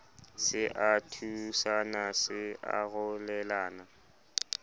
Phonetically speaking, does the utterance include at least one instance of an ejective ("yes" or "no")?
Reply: no